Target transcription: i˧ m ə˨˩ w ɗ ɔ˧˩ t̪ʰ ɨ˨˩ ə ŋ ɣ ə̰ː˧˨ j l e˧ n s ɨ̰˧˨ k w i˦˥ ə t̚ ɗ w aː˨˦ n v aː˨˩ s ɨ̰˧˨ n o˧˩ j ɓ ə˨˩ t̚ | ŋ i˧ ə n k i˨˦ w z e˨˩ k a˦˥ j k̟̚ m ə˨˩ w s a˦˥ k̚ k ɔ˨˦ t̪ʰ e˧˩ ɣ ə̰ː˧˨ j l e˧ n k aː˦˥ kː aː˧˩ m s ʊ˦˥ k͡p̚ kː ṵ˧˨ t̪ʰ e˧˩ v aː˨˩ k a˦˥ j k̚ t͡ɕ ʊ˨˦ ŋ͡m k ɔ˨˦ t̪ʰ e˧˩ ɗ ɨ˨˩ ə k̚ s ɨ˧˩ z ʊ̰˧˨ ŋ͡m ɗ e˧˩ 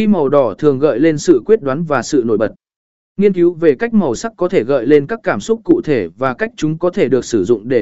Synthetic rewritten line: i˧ m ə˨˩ w ɗ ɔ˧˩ t̪ʰ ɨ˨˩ ə ŋ ɣ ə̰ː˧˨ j l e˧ n s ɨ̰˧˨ k w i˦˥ ə t̚ ɗ w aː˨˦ n v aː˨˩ s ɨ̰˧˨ n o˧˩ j ɓ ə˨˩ t̚ | ŋ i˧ ə n k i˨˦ w v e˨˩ k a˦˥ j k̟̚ m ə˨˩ w s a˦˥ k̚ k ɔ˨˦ t̪ʰ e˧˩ ɣ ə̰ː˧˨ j l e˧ n k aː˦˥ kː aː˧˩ m s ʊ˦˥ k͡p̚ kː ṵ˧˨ t̪ʰ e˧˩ v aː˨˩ k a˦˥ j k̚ t͡ɕ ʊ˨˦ ŋ͡m k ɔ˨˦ t̪ʰ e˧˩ ɗ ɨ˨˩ ə k̚ s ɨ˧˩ z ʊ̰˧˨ ŋ͡m ɗ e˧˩